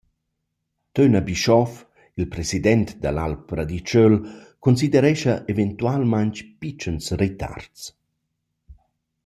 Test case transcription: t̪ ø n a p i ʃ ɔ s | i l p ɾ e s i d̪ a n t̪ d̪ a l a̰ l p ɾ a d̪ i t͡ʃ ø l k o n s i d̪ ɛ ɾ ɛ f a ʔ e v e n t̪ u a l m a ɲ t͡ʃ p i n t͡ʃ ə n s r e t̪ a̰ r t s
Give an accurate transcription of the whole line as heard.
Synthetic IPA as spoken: t̪ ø n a b i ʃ ɔ f | i l p ɾ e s i d̪ ɛ n t̪ d̪ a l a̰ l p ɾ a d̪ i t͡ʃ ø l k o n s i d̪ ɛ ɾ ɛ ʃ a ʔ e v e n t̪ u a l m a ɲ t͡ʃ p i t͡ʃ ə n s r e t̪ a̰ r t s

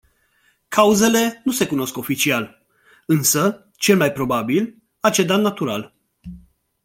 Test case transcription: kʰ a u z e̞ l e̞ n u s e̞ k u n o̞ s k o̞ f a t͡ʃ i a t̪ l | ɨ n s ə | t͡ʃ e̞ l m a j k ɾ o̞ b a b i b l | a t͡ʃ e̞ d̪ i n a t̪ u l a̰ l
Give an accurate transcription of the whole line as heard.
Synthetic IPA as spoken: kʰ a u z e̞ l e̞ n u s e̞ k u n o̞ s k o̞ f i t͡ʃ i a l | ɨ n s ə | t͡ʃ e̞ l m a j p ɾ o̞ b a b i l | a t͡ʃ e̞ d̪ a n a t̪ u ɾ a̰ l

